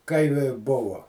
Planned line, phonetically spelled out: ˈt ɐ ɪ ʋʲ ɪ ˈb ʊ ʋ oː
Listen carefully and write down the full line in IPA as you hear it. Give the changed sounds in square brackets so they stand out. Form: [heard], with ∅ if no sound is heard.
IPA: [ˈk] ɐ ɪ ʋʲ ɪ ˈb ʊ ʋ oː